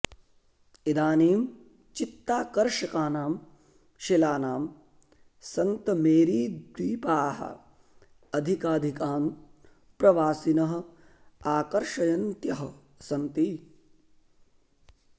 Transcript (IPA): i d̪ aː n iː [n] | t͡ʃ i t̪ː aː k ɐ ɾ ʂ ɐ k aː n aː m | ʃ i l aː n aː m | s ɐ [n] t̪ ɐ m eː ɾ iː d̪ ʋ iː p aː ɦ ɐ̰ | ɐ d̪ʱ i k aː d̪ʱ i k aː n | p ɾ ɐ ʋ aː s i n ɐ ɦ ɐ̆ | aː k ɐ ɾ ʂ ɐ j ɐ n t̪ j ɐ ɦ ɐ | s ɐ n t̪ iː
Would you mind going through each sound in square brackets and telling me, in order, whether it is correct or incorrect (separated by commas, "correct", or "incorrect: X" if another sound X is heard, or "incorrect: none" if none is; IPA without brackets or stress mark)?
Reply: incorrect: m, correct